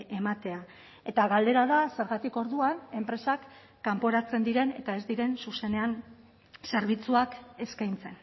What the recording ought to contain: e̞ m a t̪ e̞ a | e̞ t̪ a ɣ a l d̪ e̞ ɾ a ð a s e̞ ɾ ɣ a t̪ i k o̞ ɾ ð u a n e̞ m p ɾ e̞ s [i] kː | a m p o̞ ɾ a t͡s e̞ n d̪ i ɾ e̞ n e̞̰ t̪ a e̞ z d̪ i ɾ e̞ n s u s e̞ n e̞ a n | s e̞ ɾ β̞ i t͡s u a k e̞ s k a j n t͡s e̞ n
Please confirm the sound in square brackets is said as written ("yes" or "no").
no